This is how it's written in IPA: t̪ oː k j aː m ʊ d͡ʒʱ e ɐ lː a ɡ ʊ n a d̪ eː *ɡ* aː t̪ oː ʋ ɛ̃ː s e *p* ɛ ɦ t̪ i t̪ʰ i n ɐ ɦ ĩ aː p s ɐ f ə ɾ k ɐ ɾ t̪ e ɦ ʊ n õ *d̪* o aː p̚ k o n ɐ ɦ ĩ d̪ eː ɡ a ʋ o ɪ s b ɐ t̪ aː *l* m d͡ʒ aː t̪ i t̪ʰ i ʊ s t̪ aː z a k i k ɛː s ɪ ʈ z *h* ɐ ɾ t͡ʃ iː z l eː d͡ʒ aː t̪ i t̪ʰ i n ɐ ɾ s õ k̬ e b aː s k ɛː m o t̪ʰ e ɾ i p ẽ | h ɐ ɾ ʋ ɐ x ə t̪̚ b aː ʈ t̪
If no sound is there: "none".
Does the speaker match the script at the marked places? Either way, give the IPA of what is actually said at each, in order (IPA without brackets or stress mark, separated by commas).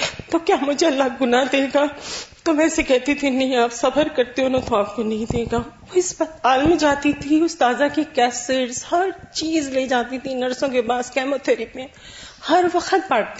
ɡ, k, t̪, l, h